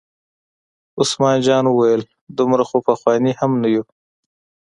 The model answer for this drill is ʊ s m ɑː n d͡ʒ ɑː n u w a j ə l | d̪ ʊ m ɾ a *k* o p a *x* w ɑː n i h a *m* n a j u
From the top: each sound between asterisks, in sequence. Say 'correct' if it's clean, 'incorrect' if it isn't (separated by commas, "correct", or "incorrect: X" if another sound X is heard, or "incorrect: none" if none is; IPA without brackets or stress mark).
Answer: incorrect: x, correct, correct